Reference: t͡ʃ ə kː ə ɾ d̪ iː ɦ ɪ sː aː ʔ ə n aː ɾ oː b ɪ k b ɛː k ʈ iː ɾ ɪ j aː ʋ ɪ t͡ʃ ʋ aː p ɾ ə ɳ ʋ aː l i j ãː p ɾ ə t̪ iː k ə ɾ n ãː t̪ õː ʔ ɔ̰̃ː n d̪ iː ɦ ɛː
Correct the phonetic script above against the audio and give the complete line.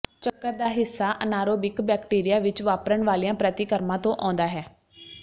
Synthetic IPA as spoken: t͡ʃ ə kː ə ɾ d̪ aː ɦ ɪ sː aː ʔ ə n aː ɾ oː b ɪ k b ɛː k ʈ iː ɾ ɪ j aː ʋ ɪ t͡ʃ ʋ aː p ɾ ə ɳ ʋ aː l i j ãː p ɾ ə t̪ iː k ə ɾ m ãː t̪ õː ʔ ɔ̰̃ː n d̪ aː ɦ ɛː

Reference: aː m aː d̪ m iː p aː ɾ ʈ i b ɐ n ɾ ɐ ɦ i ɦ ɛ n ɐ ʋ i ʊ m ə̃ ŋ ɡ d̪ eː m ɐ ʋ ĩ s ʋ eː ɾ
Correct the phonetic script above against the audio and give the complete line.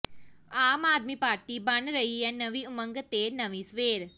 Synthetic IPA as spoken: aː m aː d̪ m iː p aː ɾ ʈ i b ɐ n ɾ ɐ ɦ i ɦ ɛ n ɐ ʋ i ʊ m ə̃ ŋ ɡ t̪ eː n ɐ ʋ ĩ s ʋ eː ɾ

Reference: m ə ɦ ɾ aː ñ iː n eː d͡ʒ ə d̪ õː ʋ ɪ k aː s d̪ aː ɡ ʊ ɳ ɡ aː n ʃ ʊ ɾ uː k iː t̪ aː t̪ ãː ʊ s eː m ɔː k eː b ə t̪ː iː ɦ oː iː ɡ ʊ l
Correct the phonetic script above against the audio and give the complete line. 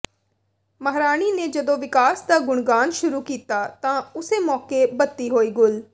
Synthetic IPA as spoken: m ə ɦ ɾ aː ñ iː n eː d͡ʒ ə d̪ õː ʋ ɪ k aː s d̪ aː ɡ ʊ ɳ ɡ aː n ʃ ʊ ɾ uː k iː t̪ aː t̪ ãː ʊ s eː m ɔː k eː b ə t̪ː iː ɦ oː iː ɡ ʊ l

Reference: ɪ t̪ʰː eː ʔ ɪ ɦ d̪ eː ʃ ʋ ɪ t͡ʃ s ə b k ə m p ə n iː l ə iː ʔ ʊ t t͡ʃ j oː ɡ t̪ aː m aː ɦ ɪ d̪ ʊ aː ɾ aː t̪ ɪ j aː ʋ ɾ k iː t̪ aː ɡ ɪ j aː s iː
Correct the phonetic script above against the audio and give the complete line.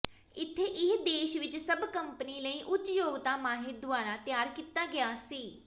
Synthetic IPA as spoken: ɪ t̪ʰː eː ʔ ɪ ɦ d̪ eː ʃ ʋ ɪ t͡ʃ s ə b k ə m p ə n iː l ə iː ʔ ʊ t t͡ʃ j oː ɡ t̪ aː m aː ɦ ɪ d̪ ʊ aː ɾ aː t̪ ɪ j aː ɾ k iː t̪ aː ɡ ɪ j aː s iː

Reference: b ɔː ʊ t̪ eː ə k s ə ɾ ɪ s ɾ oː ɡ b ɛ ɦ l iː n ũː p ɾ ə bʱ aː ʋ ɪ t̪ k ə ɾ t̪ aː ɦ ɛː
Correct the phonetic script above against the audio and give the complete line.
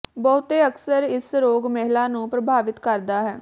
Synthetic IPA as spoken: b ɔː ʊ t̪ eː ə k s ə ɾ ɪ s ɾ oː ɡ m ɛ ɦ l aː n ũː p ɾ ə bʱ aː ʋ ɪ t̪ k ə ɾ d̪ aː ɦ ɛː

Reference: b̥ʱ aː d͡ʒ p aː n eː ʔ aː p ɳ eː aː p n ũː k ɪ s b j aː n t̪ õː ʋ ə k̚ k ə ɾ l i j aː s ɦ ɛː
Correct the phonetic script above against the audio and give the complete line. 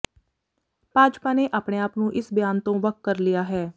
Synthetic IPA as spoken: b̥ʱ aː d͡ʒ p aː n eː ʔ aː p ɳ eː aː p n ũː ʔ ɪ s b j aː n t̪ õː ʋ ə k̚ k ə ɾ l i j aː ɦ ɛː

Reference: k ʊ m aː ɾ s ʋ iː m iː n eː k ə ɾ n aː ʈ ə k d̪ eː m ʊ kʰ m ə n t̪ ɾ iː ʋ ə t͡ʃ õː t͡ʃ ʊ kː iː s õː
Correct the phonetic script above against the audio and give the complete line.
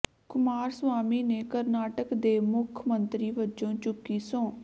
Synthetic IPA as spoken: k ʊ m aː ɾ s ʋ aː m iː n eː k ə ɾ n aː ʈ ə k d̪ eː m ʊ kʰ m ə n t̪ ɾ iː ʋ ə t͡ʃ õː t͡ʃ ʊ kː iː s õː

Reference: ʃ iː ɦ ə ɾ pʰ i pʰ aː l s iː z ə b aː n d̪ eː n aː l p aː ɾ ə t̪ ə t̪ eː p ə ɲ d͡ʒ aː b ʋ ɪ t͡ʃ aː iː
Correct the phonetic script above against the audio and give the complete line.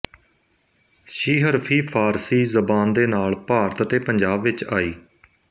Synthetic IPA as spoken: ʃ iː ɦ ə ɾ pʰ iː pʰ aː ɾ s iː z ə b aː n d̪ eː n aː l p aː ɾ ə t̪ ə t̪ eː p ə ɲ d͡ʒ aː b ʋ ɪ t͡ʃ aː iː

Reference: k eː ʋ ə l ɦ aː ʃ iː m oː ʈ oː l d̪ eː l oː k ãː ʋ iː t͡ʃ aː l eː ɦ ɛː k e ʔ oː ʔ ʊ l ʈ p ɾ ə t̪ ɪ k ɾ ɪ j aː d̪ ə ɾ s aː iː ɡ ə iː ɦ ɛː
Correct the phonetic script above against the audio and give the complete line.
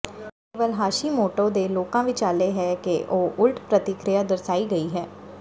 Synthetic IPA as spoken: k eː ʋ ə l ɦ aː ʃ iː m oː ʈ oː d̪ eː l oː k ãː ʋ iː t͡ʃ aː l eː ɦ ɛː k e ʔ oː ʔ ʊ l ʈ p ɾ ə t̪ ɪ k ɾ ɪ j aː d̪ ə ɾ s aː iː ɡ ə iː ɦ ɛː

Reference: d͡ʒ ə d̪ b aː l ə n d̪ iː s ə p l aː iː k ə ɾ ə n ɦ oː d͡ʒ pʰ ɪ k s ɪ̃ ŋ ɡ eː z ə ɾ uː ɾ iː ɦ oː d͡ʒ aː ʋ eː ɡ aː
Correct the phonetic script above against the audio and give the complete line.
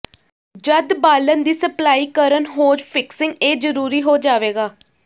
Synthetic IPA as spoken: d͡ʒ ə d̪ b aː l ə n d̪ iː s ə p l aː iː k ə ɾ ə n ɦ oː d͡ʒ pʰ ɪ k s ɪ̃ ŋ ɡ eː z ə ɾ uː ɾ iː ɦ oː d͡ʒ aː ʋ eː ɡ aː

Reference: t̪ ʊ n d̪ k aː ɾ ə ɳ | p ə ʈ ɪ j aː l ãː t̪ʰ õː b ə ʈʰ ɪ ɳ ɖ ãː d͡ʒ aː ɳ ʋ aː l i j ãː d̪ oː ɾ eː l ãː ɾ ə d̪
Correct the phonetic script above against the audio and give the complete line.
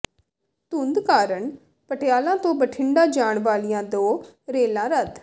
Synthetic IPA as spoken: t̪ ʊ n d̪ k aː ɾ ə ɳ | p ə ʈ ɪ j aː l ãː t̪ õː b ə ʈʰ ɪ ɳ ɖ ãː d͡ʒ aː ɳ ʋ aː l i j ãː d̪ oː ɾ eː l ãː ɾ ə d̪

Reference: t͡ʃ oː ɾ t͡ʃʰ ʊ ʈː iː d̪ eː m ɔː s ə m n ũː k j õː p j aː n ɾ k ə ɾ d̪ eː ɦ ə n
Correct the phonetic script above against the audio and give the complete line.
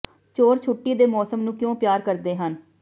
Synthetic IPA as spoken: t͡ʃ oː ɾ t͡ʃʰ ʊ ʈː iː d̪ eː m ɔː s ə m n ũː k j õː p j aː ɾ k ə ɾ d̪ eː ɦ ə n

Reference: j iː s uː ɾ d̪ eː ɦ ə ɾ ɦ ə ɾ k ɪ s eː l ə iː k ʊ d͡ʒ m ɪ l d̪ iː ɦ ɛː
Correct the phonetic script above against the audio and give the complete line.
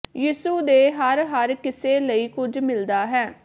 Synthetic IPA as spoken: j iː s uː d̪ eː ɦ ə ɾ ɦ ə ɾ k ɪ s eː l ə iː k ʊ d͡ʒ m ɪ l d̪ aː ɦ ɛː

